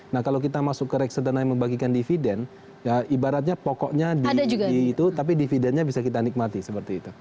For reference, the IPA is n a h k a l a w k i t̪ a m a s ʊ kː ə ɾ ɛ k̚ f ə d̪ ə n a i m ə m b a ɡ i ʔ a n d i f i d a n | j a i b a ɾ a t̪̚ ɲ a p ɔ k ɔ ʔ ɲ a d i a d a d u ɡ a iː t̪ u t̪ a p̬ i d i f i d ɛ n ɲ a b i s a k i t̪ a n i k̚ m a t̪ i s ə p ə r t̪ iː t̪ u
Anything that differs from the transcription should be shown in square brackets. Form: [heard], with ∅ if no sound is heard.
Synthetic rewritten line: n a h k a l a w k i t̪ a m a s ʊ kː ə ɾ ɛ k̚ [s] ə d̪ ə n a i m ə m b a ɡ i [k] a n d i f i d [ɛ] n | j a i b a ɾ a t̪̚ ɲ a p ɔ k ɔ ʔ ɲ a d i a d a [d͡ʒ] u ɡ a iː t̪ u t̪ a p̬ i d i f i d ɛ n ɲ a b i s a k i t̪ a n i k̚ m a t̪ i s ə p ə r t̪ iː t̪ u